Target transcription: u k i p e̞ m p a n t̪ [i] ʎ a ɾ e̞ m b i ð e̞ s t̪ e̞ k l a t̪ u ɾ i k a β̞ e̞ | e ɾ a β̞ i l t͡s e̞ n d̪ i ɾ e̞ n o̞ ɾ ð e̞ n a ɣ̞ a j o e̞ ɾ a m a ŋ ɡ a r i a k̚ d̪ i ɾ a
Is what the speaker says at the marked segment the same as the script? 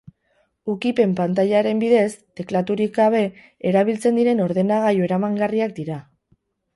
no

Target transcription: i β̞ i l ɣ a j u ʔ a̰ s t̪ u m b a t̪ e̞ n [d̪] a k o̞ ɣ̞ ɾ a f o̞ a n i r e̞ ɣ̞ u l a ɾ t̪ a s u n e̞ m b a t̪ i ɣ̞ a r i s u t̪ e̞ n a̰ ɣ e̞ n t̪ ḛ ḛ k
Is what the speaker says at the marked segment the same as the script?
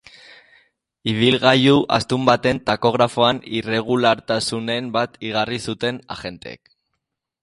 no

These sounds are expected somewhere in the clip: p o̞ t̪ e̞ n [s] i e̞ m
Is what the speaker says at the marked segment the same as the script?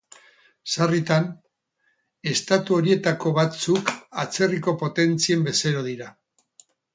no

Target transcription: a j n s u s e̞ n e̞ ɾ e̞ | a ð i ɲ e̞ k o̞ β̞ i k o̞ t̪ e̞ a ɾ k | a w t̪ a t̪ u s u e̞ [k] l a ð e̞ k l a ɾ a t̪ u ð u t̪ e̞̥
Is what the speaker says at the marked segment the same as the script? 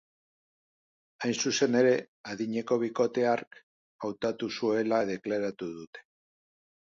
no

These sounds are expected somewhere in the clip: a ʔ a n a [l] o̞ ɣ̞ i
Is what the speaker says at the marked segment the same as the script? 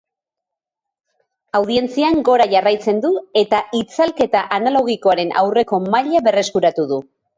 yes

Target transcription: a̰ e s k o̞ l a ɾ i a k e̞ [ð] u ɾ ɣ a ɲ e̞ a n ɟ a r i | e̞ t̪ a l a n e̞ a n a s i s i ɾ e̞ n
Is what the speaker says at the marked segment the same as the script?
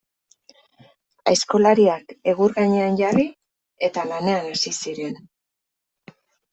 no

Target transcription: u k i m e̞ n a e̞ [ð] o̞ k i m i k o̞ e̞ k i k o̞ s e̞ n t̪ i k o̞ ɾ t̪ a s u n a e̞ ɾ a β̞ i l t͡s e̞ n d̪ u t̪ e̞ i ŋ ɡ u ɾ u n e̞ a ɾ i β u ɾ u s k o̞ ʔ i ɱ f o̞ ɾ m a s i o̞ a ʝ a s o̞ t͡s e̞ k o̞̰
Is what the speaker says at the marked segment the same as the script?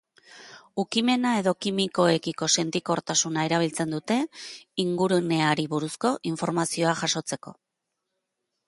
yes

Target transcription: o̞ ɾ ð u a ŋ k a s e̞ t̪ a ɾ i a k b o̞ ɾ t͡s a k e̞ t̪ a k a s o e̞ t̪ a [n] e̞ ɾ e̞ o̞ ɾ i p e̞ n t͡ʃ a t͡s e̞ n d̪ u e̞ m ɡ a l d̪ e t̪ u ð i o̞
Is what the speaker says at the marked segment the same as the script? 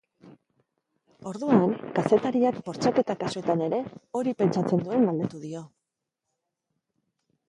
yes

